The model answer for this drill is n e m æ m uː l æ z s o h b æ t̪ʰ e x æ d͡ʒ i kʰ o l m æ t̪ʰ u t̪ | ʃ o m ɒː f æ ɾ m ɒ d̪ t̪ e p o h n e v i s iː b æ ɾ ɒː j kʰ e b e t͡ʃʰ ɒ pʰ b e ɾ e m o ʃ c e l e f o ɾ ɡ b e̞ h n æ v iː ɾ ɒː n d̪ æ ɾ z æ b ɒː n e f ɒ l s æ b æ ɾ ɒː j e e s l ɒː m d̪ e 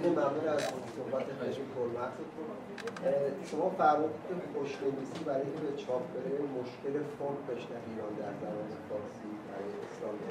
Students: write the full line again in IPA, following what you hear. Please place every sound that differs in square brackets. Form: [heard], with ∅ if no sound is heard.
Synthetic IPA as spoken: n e m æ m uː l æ z s o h b æ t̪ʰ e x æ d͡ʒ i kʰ o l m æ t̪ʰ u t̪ | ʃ o m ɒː f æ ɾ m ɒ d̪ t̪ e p o [ʃ] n e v i s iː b æ ɾ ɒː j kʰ e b e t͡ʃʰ ɒ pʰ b e ɾ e m o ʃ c e l e f o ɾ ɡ b e̞ [ʃ] n æ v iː ɾ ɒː n d̪ æ ɾ z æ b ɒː n e f ɒ [ɾ] s [i] b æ ɾ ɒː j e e s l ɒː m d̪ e